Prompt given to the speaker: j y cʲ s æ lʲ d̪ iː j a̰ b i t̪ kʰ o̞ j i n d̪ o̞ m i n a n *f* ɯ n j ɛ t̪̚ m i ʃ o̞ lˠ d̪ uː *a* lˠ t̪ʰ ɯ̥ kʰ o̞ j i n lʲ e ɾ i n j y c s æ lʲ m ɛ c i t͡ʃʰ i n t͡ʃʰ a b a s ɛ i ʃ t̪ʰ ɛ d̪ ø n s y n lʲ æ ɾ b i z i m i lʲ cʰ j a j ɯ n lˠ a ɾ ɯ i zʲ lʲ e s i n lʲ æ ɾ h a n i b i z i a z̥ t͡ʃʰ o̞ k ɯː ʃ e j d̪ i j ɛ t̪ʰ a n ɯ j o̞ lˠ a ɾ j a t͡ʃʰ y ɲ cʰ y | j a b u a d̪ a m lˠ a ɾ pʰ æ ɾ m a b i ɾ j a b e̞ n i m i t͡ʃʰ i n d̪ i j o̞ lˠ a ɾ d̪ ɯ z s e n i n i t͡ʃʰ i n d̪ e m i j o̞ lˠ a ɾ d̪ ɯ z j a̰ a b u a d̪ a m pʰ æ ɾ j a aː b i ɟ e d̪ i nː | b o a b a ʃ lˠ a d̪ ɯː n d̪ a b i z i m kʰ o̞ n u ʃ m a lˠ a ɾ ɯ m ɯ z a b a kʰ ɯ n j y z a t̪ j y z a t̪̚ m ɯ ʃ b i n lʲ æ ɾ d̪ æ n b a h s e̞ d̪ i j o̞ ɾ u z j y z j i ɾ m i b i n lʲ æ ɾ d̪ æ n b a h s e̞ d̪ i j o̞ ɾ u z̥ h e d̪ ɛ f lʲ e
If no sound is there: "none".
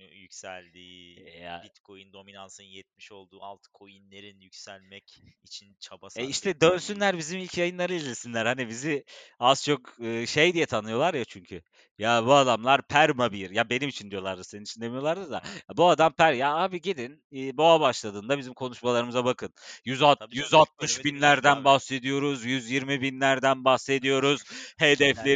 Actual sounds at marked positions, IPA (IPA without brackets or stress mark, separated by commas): s, a